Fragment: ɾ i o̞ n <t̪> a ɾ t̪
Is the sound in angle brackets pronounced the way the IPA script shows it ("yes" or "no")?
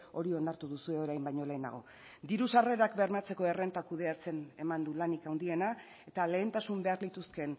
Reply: no